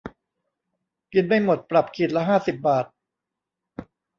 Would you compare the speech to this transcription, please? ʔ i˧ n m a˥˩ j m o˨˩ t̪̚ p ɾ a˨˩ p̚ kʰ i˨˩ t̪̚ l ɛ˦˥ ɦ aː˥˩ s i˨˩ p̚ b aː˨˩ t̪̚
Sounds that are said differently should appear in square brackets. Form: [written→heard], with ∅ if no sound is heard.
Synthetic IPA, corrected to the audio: [ʔ→k] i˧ n m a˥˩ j m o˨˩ t̪̚ p ɾ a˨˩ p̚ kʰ i˨˩ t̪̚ l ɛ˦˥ ɦ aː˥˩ s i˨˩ p̚ b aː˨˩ t̪̚